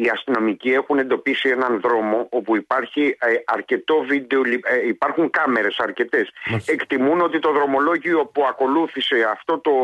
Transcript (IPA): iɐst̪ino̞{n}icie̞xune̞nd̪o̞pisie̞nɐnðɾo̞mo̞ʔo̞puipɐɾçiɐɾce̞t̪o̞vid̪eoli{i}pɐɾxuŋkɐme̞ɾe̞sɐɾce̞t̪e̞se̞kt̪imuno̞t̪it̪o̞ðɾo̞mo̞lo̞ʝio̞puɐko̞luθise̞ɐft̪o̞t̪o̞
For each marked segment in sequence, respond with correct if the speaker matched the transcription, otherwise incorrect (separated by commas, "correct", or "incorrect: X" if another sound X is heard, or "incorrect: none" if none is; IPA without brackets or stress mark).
incorrect: m, correct